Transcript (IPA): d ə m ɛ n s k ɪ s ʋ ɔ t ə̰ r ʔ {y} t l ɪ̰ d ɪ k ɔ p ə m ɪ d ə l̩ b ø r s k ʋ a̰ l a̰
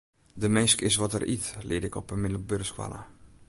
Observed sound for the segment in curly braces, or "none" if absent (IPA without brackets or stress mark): i